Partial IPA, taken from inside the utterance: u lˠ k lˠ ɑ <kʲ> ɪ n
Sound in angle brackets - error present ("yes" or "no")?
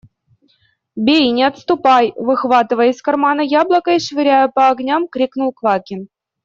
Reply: no